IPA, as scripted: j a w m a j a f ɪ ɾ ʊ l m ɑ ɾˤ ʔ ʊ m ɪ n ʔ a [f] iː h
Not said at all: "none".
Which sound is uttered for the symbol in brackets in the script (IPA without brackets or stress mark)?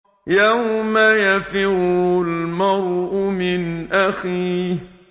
x